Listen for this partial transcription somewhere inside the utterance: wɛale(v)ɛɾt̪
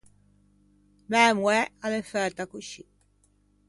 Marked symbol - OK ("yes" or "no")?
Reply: no